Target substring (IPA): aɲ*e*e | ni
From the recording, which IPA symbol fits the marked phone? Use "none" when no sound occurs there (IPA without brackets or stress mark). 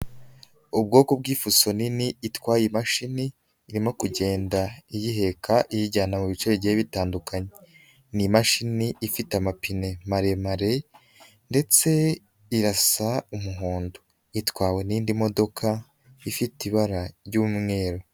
e